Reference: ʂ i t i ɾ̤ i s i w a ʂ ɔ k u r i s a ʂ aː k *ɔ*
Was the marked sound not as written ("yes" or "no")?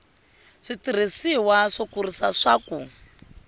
yes